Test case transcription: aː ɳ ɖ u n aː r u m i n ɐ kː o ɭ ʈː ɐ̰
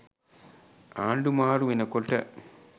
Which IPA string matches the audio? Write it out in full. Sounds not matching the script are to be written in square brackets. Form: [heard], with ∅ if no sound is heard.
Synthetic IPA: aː ɳ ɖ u [m] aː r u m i n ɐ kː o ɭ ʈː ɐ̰

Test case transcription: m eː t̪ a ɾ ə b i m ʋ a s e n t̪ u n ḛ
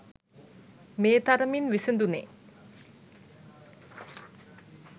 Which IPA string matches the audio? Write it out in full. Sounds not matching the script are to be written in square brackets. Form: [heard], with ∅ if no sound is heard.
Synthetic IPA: m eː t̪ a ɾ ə [m] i [n] ʋ [i] s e n [d̪] u n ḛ

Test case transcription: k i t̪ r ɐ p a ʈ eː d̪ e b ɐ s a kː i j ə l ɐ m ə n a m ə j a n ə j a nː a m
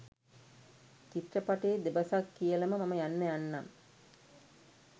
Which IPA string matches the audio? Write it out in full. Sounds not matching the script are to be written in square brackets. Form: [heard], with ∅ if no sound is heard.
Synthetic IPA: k i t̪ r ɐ p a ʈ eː d̪ e b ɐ s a kː i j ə l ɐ m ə [m] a m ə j a [nː] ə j a nː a m

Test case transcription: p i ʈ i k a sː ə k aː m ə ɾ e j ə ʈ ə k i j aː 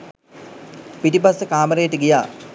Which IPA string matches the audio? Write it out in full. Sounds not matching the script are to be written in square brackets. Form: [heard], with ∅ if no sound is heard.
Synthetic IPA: p i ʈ i [p] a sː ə k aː m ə ɾ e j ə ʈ ə [ɡ] i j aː

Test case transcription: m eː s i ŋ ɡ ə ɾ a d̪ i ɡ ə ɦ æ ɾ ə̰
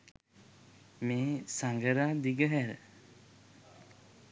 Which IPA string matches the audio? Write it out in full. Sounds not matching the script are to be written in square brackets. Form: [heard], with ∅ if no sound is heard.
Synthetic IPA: m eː s [a] ŋ ɡ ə ɾ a d̪ i ɡ ə ɦ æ ɾ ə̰

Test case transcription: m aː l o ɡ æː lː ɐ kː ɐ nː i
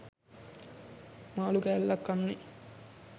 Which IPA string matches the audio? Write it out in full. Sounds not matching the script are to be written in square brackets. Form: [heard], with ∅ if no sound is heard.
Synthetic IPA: m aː l [u] ɡ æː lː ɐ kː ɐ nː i

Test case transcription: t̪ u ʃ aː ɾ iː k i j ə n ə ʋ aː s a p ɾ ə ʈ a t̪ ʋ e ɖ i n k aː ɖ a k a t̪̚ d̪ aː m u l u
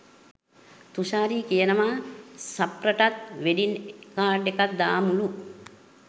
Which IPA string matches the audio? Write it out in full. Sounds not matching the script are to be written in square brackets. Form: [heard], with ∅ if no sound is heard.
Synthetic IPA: t̪ u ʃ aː ɾ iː k i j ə n ə ʋ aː s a p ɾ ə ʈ a t̪ ʋ e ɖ i n k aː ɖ [e] k a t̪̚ d̪ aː m u l u

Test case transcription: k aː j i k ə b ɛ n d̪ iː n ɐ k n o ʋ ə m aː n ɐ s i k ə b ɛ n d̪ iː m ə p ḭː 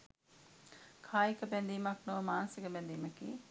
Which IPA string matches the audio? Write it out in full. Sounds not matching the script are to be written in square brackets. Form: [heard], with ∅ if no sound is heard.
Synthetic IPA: [kʰ] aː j i k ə b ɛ n d̪ iː [m] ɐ k n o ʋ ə m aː n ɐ s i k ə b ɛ n d̪ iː m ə [k] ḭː

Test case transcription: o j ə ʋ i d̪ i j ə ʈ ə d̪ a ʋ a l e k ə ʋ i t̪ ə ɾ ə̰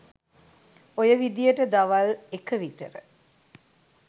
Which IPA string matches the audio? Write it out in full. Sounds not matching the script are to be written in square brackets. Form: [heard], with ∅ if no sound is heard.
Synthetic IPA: o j ə ʋ i d̪ i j ə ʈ ə d̪ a ʋ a l e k ə ʋ i t̪ ə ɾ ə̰

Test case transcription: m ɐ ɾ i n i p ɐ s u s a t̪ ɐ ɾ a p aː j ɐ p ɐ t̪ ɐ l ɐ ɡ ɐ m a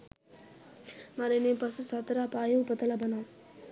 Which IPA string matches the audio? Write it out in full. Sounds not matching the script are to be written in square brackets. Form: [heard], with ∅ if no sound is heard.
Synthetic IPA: m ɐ ɾ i n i p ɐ s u s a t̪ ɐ ɾ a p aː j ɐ p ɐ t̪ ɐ l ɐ [b] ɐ [n] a

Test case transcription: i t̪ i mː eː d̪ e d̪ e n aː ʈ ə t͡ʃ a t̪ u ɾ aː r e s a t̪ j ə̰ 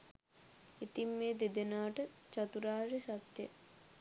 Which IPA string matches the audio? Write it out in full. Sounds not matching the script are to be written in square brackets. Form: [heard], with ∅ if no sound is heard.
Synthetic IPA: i t̪ i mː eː d̪ e d̪ e n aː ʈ ə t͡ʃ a t̪ u ɾ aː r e s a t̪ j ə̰

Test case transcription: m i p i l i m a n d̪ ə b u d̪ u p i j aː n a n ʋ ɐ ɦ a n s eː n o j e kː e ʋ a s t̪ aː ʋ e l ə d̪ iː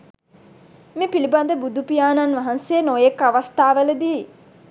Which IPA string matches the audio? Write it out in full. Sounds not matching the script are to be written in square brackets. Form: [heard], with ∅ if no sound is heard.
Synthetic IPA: m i p i l i [b] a n d̪ ə b u d̪ u p i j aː n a n ʋ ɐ ɦ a n s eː n o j e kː [a] ʋ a s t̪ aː ʋ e l ə d̪ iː

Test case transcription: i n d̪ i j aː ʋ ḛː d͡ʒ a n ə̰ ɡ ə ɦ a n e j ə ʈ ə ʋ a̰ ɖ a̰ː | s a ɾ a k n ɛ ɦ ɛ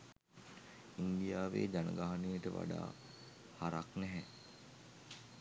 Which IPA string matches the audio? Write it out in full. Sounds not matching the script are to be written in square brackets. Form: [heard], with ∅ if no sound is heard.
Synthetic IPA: i n d̪ i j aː ʋ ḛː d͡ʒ a n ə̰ ɡ [a] ɦ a n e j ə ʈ ə ʋ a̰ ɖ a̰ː | [h] a ɾ a k n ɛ ɦ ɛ

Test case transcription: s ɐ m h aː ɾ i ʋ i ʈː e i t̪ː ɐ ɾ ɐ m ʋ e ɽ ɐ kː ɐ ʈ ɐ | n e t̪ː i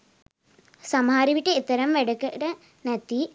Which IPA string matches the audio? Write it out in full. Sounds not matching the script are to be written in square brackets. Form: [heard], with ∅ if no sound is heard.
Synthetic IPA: s ɐ m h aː ɾ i ʋ i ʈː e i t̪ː ɐ ɾ ɐ m ʋ e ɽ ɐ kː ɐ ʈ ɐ | n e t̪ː i

